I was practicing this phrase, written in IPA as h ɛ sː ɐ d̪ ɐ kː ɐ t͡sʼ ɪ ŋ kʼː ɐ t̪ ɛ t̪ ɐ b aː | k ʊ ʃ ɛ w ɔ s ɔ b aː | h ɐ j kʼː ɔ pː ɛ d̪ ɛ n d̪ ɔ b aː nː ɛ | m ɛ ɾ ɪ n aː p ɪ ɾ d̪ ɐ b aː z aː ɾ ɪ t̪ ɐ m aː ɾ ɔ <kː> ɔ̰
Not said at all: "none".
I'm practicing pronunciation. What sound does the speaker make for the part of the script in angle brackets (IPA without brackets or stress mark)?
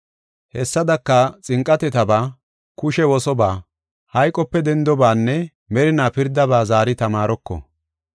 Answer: kː